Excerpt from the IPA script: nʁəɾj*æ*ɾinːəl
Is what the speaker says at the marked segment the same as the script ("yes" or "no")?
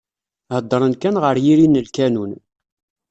no